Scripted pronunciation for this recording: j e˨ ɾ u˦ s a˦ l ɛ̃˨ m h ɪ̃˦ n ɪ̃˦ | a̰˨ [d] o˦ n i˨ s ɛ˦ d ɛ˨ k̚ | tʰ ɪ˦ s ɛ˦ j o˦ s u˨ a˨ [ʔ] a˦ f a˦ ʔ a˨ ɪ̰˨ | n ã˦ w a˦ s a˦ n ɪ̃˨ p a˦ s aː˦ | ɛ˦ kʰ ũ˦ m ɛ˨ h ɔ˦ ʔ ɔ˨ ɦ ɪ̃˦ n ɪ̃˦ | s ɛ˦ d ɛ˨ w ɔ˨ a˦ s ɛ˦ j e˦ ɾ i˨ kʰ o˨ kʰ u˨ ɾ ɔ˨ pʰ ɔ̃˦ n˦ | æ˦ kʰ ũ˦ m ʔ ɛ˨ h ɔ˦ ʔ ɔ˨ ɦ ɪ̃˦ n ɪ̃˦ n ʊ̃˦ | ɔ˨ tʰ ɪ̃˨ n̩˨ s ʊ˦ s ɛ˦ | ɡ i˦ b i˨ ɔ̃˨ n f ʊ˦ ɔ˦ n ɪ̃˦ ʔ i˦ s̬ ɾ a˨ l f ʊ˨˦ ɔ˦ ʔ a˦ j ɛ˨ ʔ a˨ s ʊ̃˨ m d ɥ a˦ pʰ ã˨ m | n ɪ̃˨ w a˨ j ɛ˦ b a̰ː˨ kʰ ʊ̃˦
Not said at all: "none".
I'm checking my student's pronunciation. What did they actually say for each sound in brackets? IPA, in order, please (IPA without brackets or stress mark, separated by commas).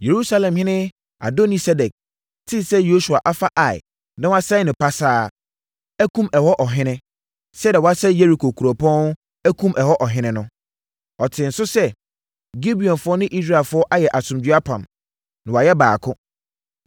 d, ʔ